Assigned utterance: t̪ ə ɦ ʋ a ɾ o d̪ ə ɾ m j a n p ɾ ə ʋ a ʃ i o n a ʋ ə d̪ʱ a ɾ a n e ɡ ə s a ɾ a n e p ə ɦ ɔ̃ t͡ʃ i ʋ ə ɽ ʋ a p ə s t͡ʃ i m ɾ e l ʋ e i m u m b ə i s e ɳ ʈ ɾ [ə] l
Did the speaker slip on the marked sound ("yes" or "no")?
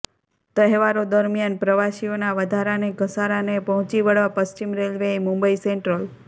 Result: no